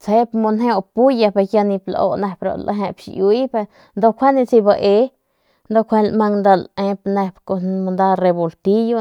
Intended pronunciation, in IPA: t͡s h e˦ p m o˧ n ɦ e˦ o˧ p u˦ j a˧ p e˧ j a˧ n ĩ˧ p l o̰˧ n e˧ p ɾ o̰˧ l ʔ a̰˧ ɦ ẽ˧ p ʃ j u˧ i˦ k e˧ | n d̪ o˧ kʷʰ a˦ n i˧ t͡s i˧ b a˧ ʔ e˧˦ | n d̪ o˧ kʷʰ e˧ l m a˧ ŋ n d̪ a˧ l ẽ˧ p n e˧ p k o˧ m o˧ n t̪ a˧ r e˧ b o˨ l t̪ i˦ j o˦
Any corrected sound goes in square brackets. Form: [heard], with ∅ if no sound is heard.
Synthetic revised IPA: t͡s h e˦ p m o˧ n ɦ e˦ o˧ p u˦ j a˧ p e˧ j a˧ n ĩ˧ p l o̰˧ n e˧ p ɾ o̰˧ l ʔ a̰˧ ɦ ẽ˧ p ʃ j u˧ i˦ [p] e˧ | n d̪ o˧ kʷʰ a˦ n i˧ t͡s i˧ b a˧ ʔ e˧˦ | n d̪ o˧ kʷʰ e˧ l m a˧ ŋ n d̪ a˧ l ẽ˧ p n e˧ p k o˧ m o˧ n [d̪] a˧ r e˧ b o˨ l t̪ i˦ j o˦